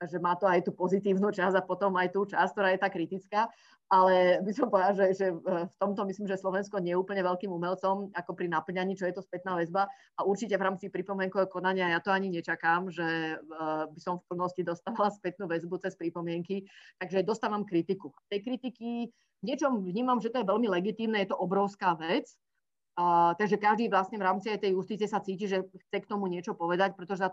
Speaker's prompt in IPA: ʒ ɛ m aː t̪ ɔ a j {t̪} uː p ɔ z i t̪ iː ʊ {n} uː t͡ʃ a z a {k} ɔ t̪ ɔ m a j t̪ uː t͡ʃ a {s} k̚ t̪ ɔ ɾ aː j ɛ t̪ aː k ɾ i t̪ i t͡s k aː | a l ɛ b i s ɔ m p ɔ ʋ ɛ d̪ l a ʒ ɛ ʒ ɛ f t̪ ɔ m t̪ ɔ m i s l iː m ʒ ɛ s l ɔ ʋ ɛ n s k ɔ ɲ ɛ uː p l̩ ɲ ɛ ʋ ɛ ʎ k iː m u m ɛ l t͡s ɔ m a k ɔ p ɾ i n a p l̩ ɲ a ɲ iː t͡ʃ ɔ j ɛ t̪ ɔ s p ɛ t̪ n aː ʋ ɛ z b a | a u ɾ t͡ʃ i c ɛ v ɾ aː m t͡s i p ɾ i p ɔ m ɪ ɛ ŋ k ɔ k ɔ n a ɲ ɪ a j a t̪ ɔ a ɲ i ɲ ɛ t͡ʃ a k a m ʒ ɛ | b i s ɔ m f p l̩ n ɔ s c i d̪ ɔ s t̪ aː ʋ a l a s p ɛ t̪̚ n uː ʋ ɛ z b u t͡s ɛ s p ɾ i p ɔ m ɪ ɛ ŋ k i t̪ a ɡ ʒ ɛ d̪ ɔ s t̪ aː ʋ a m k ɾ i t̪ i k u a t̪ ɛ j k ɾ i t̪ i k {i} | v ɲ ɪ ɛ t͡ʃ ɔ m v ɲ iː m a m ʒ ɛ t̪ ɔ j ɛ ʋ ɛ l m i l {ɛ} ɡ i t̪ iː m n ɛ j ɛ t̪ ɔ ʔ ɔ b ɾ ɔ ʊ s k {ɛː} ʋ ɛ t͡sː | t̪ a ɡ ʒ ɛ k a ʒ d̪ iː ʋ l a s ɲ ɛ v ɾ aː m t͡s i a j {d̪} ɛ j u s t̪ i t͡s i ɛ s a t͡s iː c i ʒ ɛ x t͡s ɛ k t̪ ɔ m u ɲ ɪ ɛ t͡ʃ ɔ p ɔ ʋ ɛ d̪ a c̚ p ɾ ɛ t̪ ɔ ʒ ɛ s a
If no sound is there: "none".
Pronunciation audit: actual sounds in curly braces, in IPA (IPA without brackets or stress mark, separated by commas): t̪, n, p, s, i, ɛ, aː, t̪